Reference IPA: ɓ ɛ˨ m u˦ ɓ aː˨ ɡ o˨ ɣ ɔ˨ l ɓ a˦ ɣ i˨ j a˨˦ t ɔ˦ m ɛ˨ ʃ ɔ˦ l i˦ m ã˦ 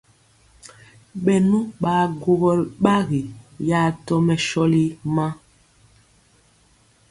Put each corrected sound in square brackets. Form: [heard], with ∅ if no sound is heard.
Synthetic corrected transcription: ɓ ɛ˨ [n] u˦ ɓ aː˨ ɡ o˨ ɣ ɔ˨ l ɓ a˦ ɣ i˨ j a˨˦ t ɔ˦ m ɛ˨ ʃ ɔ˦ l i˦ m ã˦